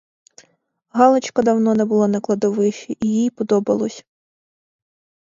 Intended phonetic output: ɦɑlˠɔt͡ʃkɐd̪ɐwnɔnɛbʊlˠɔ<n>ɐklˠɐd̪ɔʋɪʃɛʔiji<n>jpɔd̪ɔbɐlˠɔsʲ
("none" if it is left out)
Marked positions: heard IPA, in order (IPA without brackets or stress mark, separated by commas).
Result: n, none